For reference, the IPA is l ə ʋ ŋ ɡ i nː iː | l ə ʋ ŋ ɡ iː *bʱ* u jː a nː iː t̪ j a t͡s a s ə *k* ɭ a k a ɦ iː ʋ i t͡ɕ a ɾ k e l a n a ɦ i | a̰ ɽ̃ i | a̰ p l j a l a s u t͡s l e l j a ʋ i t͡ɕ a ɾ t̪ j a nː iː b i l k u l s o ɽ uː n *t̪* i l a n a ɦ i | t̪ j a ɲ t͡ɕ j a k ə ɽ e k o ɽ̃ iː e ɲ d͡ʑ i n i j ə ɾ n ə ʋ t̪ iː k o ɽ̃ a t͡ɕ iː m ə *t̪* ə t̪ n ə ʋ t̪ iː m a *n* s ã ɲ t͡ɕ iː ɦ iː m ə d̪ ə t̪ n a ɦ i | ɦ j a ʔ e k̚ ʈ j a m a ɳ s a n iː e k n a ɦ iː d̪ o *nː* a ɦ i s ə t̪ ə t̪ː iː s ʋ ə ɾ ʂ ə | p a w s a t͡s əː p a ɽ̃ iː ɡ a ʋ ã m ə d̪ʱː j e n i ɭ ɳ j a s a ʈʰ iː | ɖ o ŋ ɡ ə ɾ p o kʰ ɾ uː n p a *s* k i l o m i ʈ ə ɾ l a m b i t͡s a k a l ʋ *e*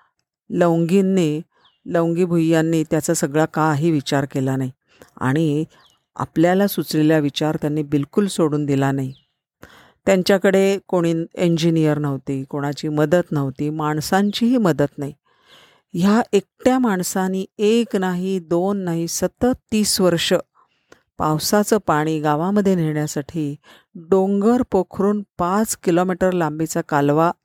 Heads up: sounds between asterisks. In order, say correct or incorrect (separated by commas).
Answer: correct, incorrect, incorrect, incorrect, incorrect, correct, incorrect, incorrect